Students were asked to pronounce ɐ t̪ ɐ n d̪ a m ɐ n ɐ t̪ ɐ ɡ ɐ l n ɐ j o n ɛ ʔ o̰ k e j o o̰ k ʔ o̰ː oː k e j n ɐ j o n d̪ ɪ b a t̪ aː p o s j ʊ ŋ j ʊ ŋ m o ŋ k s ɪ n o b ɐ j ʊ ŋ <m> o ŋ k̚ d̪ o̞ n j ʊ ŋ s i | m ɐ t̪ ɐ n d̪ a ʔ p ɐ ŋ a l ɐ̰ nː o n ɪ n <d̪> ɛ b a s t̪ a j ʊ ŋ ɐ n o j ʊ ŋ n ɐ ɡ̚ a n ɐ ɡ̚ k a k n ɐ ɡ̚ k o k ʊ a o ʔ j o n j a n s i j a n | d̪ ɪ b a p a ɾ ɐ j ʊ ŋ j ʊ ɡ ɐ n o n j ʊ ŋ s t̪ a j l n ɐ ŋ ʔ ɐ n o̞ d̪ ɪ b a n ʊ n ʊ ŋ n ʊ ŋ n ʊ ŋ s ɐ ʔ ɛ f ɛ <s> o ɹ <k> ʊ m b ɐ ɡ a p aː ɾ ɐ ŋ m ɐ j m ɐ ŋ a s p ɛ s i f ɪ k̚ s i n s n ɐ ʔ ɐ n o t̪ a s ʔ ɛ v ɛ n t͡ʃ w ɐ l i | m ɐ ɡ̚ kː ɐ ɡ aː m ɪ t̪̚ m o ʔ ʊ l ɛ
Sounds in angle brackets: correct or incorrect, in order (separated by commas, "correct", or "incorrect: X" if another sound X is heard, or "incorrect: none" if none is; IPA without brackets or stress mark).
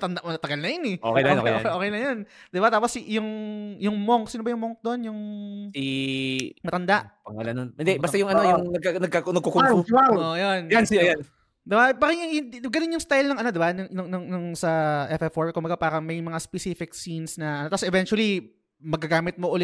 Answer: correct, correct, incorrect: f, correct